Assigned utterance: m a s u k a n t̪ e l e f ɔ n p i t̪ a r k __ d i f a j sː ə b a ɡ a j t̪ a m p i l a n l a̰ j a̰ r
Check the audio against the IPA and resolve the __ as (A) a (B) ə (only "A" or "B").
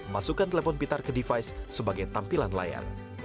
B